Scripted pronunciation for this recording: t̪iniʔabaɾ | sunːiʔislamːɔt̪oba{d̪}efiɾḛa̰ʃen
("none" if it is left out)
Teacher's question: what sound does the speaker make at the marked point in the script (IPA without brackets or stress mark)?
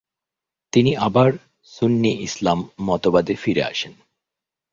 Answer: d̪